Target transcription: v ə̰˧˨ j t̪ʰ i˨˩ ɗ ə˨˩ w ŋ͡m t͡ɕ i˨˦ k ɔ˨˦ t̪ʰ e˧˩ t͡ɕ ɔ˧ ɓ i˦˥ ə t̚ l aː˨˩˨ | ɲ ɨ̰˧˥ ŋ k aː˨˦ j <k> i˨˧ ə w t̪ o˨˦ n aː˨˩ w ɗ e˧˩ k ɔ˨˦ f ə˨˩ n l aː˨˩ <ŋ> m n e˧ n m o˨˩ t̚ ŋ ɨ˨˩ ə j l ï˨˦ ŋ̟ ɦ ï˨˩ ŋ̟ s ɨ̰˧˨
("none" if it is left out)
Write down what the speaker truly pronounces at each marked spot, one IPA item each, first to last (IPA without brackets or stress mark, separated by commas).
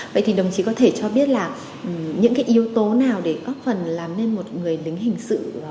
ʔ, none